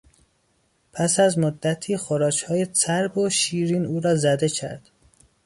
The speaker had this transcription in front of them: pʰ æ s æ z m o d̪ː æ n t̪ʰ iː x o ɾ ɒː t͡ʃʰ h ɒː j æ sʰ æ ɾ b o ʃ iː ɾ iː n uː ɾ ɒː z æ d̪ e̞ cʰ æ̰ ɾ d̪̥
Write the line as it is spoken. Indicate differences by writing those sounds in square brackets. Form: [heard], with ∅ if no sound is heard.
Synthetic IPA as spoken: pʰ æ s æ z m o d̪ː æ [∅] t̪ʰ iː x o ɾ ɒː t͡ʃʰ h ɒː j [e] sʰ æ ɾ b o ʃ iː ɾ iː n uː ɾ ɒː z æ d̪ e̞ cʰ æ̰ ɾ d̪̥